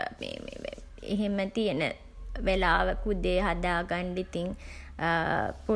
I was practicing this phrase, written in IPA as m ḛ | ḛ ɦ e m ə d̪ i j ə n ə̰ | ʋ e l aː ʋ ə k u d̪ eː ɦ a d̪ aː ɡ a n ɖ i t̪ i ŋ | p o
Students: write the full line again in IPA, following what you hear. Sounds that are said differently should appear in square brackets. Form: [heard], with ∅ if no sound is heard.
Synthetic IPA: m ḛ | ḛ ɦ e m ə [t̪] i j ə n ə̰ | ʋ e l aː ʋ ə k u d̪ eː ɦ a d̪ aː ɡ a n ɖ i t̪ i ŋ | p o